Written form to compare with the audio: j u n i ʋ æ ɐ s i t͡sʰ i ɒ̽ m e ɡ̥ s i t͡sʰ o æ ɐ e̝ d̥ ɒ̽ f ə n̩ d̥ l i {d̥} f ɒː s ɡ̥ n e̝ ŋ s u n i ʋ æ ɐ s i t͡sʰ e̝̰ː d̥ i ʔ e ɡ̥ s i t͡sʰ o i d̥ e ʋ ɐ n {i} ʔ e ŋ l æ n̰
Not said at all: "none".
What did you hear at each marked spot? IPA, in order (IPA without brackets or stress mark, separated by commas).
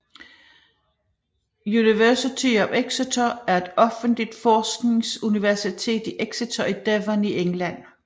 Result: d̥, i